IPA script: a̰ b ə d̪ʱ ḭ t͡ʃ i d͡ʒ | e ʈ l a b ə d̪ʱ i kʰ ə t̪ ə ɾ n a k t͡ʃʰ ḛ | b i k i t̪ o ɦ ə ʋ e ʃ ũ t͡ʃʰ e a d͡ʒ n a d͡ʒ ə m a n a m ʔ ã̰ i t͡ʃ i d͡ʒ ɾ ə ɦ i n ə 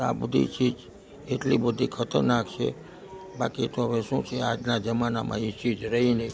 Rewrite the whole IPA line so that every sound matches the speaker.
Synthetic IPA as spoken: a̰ b ə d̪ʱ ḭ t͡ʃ i d͡ʒ | e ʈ l i b ə d̪ʱ i kʰ ə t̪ ə ɾ n a k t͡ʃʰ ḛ | b a k i t̪ o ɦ ə ʋ e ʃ ũ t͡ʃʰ e a d͡ʒ n a d͡ʒ ə m a n a m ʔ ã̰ i t͡ʃ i d͡ʒ ɾ ə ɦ i n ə